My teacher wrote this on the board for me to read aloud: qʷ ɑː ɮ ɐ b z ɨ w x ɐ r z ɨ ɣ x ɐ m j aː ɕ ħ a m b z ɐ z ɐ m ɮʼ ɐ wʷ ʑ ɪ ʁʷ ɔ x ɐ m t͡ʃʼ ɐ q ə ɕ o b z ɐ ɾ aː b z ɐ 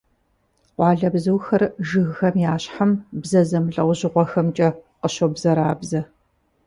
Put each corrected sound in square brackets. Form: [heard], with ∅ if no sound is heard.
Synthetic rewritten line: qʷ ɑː ɮ ɐ b z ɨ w x ɐ r [ʒ] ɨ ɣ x ɐ m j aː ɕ ħ a m b z ɐ z ɐ m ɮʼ ɐ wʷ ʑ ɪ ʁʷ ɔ x ɐ m t͡ʃʼ ɐ q ə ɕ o b z ɐ ɾ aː b z ɐ